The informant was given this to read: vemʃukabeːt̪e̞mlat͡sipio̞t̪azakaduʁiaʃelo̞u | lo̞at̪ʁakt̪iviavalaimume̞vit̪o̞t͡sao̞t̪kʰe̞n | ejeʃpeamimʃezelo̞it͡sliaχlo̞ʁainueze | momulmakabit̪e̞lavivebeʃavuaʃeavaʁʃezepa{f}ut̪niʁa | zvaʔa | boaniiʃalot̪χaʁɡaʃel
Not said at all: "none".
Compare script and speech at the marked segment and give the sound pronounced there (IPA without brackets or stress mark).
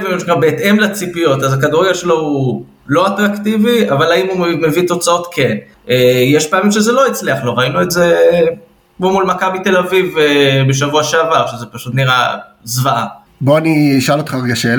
ʃ